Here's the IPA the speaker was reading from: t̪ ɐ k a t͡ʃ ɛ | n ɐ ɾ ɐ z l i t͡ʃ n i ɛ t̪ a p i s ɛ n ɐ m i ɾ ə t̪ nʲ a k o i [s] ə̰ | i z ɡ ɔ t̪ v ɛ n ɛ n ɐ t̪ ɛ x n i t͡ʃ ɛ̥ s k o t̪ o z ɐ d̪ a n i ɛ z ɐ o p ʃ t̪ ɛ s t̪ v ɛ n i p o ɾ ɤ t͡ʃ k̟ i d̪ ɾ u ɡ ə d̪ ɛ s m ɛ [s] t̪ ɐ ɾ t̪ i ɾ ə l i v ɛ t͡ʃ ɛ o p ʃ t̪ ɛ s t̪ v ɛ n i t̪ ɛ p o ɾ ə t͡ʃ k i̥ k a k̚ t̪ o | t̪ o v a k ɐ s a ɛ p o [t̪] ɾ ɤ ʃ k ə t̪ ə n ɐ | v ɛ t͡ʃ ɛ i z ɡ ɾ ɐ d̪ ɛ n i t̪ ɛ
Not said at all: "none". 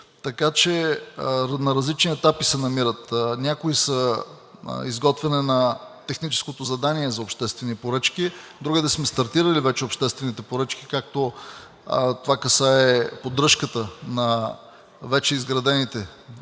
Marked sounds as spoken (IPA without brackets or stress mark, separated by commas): s, s, d̪